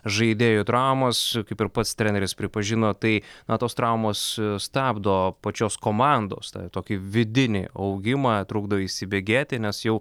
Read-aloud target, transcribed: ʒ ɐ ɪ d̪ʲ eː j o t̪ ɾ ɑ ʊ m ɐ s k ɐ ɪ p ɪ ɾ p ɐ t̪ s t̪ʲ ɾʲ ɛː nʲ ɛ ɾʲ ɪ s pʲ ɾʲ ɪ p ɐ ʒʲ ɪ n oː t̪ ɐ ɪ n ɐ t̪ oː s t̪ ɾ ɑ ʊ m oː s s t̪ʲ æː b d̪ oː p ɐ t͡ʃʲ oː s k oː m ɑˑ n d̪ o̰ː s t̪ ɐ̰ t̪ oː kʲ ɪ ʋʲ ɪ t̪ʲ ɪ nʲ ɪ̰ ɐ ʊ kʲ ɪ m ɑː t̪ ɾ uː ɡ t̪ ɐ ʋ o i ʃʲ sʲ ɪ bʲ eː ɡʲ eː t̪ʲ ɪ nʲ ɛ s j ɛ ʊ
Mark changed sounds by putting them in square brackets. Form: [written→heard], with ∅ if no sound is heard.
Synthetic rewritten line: ʒ ɐ ɪ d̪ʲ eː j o t̪ ɾ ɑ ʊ m ɐ s k ɐ ɪ p ɪ ɾ p ɐ t̪ s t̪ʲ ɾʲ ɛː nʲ ɛ ɾʲ ɪ s pʲ ɾʲ ɪ p ɐ ʒʲ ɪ n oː t̪ ɐ ɪ n ɐ t̪ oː s t̪ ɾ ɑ ʊ m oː s s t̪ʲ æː b d̪ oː p ɐ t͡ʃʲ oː s k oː m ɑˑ n d̪ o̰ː s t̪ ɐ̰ t̪ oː kʲ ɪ ʋʲ ɪ [t̪ʲ→d̪ʲ] ɪ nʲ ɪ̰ ɐ ʊ [kʲ→ɡʲ] ɪ m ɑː t̪ ɾ uː ɡ [t̪→d̪] ɐ ʋ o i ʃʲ sʲ ɪ bʲ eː ɡʲ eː t̪ʲ ɪ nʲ ɛ s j ɛ ʊ